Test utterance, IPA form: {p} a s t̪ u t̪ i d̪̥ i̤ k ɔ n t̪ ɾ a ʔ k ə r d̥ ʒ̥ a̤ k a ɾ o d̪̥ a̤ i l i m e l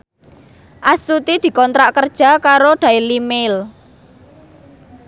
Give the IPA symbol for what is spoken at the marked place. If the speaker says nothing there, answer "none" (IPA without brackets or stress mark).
ʔ